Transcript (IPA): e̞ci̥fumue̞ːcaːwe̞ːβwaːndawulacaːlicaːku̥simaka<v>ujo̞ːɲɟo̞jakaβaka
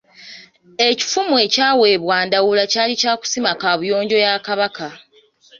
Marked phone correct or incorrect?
incorrect